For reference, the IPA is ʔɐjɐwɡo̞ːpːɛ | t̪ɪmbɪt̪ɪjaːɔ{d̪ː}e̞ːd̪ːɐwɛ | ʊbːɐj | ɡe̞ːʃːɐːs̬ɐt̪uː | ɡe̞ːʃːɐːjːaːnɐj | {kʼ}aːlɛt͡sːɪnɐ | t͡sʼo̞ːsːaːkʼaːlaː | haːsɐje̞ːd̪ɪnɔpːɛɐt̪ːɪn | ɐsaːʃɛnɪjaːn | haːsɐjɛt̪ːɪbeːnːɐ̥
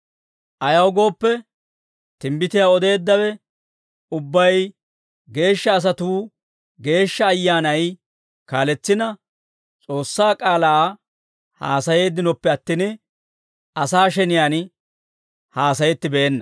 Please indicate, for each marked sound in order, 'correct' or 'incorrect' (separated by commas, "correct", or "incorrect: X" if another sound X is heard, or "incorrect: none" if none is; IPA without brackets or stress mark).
incorrect: d̪, incorrect: k